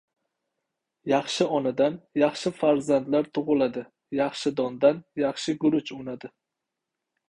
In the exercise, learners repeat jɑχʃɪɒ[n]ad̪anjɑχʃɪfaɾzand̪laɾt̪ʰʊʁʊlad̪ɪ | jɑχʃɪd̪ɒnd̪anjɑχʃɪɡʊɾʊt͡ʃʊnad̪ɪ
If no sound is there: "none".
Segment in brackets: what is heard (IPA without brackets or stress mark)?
n